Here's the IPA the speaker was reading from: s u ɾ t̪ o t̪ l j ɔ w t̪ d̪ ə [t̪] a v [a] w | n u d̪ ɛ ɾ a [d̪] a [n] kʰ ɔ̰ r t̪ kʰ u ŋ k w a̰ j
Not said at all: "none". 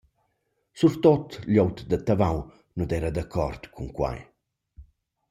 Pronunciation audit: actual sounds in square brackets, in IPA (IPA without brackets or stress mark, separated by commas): t̪, a, d̪, none